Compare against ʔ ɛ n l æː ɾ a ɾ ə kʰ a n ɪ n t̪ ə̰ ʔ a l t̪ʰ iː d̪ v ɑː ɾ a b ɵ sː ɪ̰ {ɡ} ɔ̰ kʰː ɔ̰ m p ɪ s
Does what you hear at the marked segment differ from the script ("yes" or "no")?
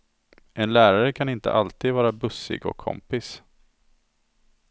no